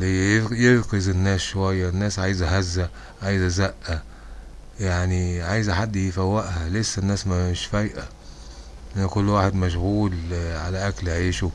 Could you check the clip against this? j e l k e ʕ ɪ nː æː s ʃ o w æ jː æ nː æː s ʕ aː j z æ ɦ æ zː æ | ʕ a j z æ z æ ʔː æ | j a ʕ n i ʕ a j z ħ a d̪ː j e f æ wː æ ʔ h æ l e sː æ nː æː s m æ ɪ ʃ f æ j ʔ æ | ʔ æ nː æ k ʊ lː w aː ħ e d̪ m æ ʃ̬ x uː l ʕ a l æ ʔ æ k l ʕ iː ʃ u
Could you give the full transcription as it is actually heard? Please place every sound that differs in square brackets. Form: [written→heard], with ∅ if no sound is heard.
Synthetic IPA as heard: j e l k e [ʕ→z] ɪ nː æː s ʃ o w æ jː æ nː æː s ʕ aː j z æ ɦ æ zː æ | ʕ a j z æ z æ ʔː æ | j a ʕ n i ʕ a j z ħ a d̪ː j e f æ wː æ ʔ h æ l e sː æ nː æː s m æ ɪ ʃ f æ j ʔ æ | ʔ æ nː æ k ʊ lː w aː ħ e d̪ m æ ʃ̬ [x→ɣ] uː l ʕ a l æ ʔ æ k l ʕ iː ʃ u